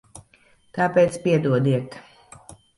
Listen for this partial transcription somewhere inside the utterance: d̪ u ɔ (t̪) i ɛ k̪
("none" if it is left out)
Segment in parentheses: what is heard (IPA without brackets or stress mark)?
d̪